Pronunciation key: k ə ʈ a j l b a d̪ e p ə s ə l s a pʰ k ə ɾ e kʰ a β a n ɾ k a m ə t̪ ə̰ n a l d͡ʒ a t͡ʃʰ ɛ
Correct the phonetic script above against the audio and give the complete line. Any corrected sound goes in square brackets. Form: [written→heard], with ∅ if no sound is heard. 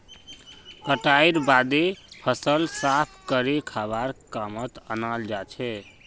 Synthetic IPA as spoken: k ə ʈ a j [l→ɾ] b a d̪ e [p→pʰ] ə s ə l s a pʰ k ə ɾ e kʰ a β a [n→∅] ɾ k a m ə t̪ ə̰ n a l d͡ʒ a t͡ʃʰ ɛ